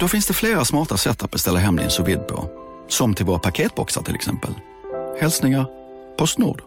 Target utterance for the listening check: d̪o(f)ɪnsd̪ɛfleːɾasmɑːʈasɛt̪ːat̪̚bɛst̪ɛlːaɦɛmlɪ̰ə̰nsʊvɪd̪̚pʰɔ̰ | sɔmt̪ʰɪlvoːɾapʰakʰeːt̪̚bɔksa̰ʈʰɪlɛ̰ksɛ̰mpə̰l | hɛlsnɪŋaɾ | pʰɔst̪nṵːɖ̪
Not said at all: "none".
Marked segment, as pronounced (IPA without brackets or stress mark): f